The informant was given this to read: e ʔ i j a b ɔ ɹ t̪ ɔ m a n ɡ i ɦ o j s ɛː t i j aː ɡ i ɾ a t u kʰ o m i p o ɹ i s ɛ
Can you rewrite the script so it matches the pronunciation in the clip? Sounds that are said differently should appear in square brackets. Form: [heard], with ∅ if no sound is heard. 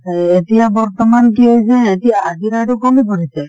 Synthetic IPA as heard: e [t] i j a b ɔ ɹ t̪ ɔ m a n [k] i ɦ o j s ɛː t i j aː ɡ i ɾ a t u [k] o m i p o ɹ i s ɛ